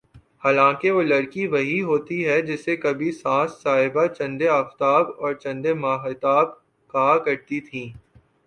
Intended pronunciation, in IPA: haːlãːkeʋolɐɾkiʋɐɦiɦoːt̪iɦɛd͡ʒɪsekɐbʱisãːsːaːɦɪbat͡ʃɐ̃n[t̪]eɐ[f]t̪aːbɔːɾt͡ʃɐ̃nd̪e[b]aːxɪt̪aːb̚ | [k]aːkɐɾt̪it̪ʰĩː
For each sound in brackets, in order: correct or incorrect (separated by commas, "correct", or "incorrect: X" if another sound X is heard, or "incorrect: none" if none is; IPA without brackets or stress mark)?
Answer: incorrect: d̪, correct, incorrect: m, correct